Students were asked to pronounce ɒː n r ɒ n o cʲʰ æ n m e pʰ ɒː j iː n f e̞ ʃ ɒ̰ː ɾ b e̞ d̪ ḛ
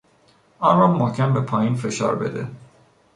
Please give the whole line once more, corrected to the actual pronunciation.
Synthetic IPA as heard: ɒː n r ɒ m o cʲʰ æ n b e pʰ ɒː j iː n f e̞ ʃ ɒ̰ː ɾ b e̞ d̪ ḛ